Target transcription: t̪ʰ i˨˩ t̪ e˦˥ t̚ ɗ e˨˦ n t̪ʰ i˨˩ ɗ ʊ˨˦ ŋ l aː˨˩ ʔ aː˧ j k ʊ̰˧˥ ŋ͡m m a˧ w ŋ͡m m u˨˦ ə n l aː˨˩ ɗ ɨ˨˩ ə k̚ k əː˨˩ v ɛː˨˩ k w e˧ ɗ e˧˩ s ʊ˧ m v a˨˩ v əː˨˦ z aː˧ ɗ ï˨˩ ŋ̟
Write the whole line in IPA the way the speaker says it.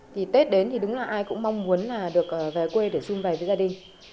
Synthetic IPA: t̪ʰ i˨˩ t̪ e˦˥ t̚ ɗ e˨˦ n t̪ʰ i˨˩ ɗ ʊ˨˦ ŋ͡m l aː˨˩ ʔ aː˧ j k ʊ̰˧˥ ŋ͡m m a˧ w ŋ͡m m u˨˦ ə n l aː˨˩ ɗ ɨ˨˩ ə k̚ ʔ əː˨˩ v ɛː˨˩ k w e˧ ɗ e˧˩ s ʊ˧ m v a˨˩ v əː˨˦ z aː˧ ɗ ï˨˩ ŋ̟